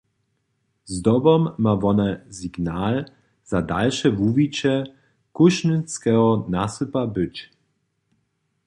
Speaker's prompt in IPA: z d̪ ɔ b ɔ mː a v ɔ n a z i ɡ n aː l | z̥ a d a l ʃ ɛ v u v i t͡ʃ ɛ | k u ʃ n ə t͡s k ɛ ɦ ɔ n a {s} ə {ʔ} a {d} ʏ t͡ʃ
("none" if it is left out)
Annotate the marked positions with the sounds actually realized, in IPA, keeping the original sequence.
s, p, b

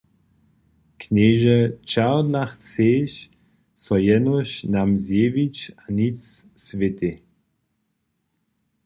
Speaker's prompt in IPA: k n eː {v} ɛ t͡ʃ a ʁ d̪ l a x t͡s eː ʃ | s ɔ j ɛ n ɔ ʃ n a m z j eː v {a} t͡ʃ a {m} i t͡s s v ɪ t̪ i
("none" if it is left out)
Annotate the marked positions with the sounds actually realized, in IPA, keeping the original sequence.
ʒ, i, n

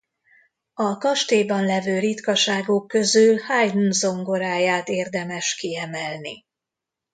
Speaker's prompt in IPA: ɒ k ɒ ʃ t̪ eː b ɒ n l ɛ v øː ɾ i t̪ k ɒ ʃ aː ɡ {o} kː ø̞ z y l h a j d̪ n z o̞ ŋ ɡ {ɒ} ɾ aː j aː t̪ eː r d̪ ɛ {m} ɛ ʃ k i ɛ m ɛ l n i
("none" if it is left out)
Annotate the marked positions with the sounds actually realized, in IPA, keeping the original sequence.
o, o, m

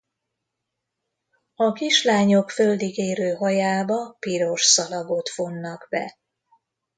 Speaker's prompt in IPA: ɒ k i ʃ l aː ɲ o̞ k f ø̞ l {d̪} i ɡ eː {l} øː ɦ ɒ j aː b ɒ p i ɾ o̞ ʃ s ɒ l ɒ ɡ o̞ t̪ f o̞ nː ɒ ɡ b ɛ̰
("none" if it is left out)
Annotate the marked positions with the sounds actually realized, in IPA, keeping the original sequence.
d̪, ɾ

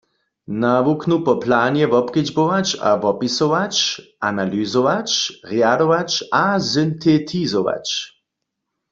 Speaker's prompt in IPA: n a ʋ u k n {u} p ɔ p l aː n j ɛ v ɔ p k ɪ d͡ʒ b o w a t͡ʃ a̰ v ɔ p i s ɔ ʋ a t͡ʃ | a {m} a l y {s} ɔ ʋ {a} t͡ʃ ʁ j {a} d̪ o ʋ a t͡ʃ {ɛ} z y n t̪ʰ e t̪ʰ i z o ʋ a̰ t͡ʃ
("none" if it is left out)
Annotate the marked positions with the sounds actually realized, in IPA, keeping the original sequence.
u, n, z, a, a, a

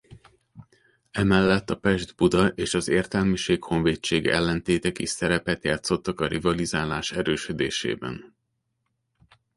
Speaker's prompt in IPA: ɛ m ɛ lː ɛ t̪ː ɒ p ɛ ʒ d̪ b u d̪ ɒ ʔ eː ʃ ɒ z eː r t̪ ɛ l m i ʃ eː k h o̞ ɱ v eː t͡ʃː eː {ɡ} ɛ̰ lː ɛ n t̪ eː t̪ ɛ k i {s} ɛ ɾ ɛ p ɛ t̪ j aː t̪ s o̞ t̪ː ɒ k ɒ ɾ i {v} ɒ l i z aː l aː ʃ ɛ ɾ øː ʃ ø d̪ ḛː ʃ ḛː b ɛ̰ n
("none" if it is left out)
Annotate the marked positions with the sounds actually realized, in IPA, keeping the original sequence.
ɡ, s, v

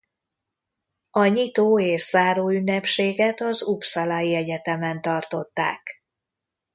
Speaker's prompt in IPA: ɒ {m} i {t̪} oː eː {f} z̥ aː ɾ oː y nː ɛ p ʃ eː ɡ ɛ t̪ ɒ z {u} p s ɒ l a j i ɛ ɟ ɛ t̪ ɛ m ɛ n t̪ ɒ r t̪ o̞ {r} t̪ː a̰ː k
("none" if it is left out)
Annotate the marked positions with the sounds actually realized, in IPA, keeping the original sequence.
ɲ, t̪, ʃ, u, none

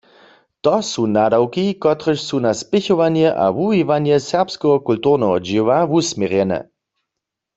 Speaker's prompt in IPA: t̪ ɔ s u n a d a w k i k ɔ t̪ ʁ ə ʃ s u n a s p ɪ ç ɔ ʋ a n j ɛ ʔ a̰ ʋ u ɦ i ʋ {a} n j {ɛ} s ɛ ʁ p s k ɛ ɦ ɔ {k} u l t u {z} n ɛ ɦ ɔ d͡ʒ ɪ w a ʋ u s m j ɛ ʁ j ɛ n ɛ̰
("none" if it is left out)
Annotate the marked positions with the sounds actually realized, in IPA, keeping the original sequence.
a, ɛ, k, ʁ

